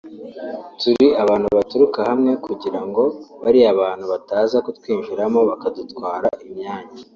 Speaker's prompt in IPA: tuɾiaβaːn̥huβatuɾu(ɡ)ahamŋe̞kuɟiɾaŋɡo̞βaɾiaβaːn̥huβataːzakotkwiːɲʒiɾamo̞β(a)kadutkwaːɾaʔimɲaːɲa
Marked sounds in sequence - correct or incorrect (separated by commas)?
incorrect, correct